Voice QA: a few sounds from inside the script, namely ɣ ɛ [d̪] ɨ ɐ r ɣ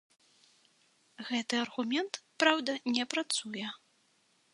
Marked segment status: incorrect: t̪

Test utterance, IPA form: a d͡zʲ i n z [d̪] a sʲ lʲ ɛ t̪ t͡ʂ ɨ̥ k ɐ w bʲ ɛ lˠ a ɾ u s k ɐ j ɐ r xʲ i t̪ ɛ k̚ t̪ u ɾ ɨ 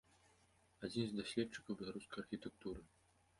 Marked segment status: correct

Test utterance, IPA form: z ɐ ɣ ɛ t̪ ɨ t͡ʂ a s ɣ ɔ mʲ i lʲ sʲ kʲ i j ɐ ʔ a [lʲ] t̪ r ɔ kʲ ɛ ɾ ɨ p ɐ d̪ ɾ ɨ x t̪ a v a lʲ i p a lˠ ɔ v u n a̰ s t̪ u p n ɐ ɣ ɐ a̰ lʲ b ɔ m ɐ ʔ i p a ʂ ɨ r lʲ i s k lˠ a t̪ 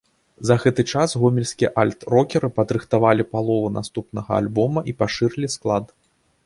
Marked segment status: correct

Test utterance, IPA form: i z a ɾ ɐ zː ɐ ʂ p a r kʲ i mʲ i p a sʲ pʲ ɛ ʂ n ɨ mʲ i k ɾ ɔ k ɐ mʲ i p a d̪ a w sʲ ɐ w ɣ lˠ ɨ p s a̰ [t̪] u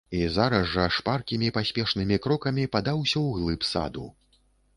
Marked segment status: incorrect: d̪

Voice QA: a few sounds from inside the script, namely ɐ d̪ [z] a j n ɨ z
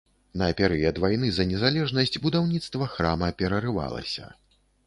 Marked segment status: incorrect: v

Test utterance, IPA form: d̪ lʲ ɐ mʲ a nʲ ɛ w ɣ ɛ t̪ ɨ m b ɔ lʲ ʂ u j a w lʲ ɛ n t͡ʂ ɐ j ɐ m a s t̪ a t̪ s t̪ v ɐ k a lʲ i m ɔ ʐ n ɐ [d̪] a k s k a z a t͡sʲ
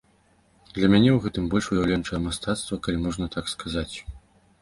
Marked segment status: incorrect: t̪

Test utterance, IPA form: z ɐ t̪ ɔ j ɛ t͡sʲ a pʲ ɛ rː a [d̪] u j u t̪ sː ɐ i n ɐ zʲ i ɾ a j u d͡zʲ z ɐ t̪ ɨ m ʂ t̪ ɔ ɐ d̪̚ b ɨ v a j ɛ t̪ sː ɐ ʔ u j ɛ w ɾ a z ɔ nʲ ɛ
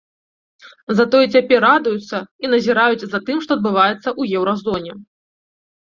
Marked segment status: correct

